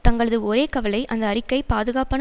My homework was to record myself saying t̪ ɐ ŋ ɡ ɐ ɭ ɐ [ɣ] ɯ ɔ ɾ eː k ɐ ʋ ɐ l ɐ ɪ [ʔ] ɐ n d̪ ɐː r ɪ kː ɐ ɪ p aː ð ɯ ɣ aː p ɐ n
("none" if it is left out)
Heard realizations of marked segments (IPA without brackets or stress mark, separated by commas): ð, ʔ